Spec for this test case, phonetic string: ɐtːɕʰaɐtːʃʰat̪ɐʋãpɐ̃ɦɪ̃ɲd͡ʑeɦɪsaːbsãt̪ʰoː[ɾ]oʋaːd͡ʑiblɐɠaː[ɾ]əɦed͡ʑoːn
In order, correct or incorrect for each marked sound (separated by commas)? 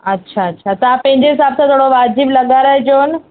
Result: incorrect, correct